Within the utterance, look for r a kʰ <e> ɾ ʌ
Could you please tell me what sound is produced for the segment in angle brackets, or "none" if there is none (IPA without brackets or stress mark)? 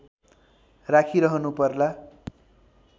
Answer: i